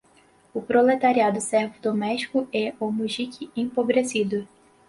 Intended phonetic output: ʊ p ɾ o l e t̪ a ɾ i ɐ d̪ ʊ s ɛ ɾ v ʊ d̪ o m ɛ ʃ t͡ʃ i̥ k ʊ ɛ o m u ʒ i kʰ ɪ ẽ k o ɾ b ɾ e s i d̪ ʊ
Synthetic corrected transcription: ʊ p ɾ o l e t̪ a ɾ i a d̪ ʊ s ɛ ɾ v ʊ d̪ o m ɛ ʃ t͡ʃ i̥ k ʊ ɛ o m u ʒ i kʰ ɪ ẽ p o b ɾ e s i d̪ ʊ